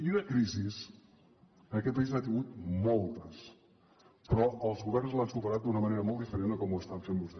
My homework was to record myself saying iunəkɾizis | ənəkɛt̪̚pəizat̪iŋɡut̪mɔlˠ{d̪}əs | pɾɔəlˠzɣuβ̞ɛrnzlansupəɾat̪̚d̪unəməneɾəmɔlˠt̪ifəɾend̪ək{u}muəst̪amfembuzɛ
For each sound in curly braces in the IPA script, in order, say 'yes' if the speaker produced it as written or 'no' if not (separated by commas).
no, no